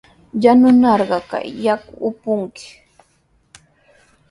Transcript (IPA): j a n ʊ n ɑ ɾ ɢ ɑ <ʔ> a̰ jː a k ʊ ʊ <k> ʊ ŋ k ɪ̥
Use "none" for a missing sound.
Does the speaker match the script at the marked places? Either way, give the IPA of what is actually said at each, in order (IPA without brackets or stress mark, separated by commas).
k, p